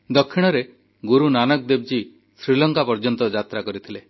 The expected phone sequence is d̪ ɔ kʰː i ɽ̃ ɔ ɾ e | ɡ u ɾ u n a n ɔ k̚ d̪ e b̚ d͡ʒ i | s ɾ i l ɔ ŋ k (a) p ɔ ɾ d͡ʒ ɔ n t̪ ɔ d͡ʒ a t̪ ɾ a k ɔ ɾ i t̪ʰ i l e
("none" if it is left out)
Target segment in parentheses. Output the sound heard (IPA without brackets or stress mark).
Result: a